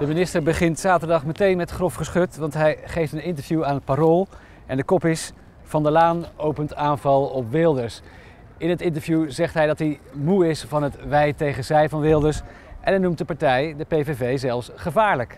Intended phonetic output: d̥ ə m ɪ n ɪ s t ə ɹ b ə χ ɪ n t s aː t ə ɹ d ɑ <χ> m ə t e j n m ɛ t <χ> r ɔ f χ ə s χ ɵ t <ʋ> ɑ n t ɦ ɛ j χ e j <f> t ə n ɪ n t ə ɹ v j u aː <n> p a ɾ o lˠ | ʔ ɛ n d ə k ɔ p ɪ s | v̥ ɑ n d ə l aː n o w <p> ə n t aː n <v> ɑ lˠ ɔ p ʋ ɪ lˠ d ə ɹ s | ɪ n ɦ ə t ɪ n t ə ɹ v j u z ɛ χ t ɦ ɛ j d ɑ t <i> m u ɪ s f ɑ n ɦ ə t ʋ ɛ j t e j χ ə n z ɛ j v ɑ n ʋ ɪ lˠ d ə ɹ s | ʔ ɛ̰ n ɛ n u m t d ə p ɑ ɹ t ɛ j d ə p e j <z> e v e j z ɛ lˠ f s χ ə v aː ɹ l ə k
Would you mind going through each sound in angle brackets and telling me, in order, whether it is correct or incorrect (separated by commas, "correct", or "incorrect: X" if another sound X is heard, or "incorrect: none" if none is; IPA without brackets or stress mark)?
correct, correct, correct, correct, correct, correct, correct, correct, incorrect: v